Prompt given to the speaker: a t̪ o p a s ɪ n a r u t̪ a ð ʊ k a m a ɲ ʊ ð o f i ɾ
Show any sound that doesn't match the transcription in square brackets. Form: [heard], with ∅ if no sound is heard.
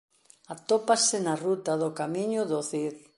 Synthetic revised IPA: a t̪ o p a s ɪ n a r u t̪ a ð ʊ k a m [i] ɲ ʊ ð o [θ] i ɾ